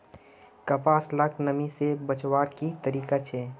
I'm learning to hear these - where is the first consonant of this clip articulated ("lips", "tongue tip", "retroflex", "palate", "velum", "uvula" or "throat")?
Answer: velum